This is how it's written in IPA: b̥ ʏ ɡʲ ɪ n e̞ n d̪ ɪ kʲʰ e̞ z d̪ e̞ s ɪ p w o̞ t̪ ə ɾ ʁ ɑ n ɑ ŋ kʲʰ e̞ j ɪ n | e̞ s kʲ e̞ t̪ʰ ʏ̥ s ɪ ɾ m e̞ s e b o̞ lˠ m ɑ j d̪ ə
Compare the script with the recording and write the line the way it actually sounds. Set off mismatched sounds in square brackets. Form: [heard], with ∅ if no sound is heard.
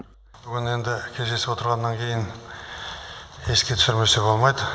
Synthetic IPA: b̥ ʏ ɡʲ ɪ n e̞ n d̪ ɪ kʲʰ e̞ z d̪ e̞ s ɪ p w o̞ t̪ ə ɾ ʁ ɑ [nː] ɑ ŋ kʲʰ e̞ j ɪ n | e̞ s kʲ e̞ t̪ʰ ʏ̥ s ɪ ɾ m e̞ s e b o̞ lˠ m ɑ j d̪ ə